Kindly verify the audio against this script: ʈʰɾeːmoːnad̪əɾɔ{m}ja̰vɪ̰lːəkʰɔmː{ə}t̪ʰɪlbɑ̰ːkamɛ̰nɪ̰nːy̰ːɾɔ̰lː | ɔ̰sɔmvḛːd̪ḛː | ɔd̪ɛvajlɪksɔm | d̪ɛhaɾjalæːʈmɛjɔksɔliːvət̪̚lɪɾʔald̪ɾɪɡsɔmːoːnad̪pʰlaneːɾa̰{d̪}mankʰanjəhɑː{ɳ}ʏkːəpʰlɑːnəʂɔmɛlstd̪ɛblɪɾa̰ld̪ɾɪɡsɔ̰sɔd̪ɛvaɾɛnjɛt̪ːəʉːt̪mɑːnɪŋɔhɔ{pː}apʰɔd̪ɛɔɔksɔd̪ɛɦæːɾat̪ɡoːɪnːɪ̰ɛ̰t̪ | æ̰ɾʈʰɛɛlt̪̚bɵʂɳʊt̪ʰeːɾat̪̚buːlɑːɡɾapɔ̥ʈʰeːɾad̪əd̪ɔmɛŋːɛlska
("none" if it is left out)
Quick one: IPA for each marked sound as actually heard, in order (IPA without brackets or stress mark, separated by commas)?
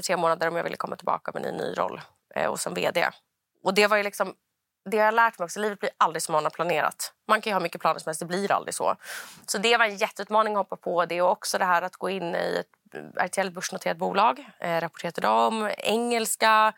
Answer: m, a, t̪, m, pː